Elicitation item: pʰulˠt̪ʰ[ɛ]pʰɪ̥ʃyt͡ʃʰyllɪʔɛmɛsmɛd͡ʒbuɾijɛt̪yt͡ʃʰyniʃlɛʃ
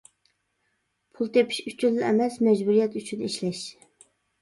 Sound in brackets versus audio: incorrect: e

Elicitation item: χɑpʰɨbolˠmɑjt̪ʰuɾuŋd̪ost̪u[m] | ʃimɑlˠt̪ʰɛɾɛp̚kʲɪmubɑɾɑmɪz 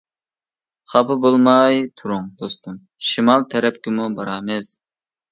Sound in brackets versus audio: correct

